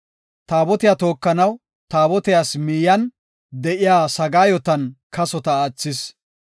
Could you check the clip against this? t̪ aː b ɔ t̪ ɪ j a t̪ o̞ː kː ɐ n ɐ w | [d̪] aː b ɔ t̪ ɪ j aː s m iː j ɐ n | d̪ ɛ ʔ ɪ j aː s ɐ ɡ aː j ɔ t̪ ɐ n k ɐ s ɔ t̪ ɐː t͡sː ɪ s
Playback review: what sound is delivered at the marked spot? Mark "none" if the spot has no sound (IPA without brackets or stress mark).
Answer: t̪